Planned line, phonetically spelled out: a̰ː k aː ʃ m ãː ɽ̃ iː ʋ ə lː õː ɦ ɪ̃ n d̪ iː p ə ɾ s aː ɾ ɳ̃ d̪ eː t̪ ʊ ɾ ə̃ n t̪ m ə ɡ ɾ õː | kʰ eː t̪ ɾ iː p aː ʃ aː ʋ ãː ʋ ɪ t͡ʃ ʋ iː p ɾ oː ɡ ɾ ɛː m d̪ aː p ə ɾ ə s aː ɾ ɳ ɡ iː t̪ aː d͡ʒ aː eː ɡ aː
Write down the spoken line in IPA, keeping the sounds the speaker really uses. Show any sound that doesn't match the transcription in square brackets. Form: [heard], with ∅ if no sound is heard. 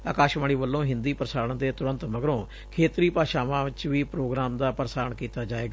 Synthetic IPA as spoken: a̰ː k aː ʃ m [aː] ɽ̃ iː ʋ ə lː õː ɦ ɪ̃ n d̪ iː p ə ɾ s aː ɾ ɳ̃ d̪ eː t̪ ʊ ɾ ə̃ n t̪ m ə ɡ ɾ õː | kʰ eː t̪ ɾ iː p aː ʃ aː ʋ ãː ʋ ɪ t͡ʃ ʋ iː p ɾ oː ɡ ɾ [aː] m d̪ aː p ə ɾ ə s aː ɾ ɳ [k] iː t̪ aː d͡ʒ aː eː ɡ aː

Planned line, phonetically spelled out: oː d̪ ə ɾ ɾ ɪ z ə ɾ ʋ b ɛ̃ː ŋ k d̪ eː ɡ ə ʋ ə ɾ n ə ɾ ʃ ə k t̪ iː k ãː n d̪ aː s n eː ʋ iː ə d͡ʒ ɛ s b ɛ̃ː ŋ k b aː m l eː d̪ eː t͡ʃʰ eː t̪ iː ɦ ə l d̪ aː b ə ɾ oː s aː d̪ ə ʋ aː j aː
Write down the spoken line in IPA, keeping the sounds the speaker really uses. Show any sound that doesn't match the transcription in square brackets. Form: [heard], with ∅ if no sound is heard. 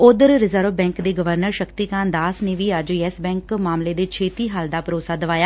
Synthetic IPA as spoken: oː d̪ ə ɾ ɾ ɪ z ə ɾ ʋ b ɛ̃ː ŋ k d̪ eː ɡ ə ʋ ə ɾ n ə ɾ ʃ ə k t̪ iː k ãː n d̪ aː s n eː ʋ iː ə d͡ʒ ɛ s b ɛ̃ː ŋ k [m] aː m l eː d̪ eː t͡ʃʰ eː t̪ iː ɦ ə l d̪ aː [p] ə ɾ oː s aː d̪ ə ʋ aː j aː

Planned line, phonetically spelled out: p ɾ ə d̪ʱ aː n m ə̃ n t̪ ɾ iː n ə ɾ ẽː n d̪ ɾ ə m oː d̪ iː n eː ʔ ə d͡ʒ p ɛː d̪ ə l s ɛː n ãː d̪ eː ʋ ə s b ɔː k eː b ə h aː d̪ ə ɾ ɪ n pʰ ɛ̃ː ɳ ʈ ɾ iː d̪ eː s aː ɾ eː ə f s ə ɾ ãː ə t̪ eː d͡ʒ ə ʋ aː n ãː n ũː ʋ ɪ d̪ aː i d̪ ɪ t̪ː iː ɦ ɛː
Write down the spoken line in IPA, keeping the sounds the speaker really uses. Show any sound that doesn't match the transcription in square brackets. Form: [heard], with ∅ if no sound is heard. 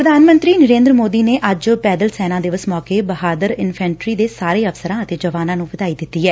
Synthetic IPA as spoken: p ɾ ə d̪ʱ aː n m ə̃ n t̪ ɾ iː n ə ɾ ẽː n d̪ ɾ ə m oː d̪ iː n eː ʔ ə d͡ʒ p ɛː d̪ ə l s ɛː n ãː d̪ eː ʋ ə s [m] ɔː k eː b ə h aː d̪ ə ɾ ɪ n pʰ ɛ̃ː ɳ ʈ ɾ iː d̪ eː s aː ɾ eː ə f s ə ɾ ãː ə t̪ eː d͡ʒ ə ʋ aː n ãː n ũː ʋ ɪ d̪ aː i d̪ ɪ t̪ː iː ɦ ɛː

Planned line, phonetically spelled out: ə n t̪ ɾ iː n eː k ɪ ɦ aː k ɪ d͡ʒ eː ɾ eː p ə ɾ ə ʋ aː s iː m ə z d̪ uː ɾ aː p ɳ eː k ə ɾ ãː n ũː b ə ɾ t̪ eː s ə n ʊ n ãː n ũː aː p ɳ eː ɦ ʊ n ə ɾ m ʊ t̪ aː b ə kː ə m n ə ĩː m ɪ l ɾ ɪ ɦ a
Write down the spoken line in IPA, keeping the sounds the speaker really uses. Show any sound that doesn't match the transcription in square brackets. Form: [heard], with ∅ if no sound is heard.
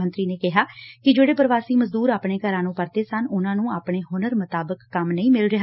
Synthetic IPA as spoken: ə n t̪ ɾ iː n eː k ɪ ɦ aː k ɪ d͡ʒ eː [ɽ] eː p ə ɾ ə ʋ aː s iː m ə z d̪ uː ɾ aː p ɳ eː k ə ɾ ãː n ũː [p] ə ɾ t̪ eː s ə n ʊ n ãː n ũː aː p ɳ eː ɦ ʊ n ə ɾ m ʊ t̪ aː b ə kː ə m n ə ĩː m ɪ l ɾ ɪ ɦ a

